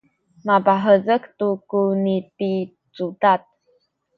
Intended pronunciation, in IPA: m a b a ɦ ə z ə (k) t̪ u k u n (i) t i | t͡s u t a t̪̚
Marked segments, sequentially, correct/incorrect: correct, correct

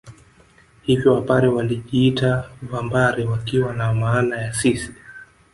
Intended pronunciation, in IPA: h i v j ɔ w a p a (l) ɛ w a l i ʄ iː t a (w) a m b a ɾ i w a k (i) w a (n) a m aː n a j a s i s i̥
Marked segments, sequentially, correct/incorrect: incorrect: ɾ, incorrect: v, correct, correct

